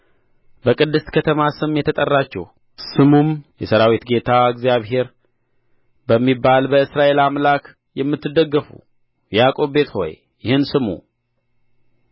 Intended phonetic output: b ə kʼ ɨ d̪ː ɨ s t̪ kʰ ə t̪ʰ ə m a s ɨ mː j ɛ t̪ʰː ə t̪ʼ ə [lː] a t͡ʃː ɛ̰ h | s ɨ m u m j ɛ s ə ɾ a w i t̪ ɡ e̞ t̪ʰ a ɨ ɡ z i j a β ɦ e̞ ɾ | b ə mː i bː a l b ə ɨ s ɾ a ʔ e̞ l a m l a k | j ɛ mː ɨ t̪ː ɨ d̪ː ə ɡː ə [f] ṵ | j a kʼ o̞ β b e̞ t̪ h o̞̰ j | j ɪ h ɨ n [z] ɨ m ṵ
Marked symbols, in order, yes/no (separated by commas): no, yes, no